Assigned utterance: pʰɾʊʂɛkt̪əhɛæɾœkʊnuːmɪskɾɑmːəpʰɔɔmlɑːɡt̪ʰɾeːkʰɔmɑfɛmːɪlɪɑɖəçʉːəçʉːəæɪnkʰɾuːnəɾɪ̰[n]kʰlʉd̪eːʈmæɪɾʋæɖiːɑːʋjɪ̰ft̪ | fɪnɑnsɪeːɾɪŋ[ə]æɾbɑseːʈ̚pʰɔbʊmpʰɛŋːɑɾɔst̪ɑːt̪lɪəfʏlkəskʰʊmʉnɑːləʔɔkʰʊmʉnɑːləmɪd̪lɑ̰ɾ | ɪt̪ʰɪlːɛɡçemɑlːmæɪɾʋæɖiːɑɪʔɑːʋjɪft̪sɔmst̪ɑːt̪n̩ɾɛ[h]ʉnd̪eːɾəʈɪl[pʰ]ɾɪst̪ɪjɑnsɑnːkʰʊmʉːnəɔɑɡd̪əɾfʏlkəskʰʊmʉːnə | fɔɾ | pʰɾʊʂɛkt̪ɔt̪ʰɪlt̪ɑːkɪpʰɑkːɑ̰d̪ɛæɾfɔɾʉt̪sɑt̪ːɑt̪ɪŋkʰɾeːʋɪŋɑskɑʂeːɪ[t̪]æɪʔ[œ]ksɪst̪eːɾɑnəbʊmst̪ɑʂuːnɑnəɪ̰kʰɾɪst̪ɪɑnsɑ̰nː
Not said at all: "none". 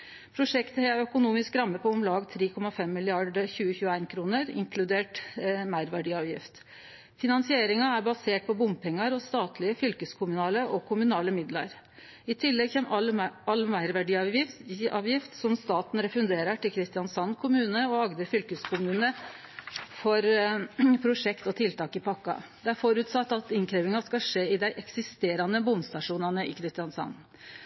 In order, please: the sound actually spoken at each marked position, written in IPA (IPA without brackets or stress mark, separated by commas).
ŋ, ɑ, f, kʰ, d̪, ɛ